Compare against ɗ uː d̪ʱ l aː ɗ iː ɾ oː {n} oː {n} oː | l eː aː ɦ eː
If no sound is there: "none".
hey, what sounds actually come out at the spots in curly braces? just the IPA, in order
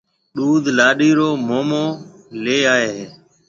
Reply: m, m

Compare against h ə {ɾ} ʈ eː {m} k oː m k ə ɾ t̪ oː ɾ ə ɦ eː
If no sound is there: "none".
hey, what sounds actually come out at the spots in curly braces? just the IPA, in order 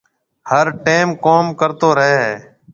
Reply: ɾ, m

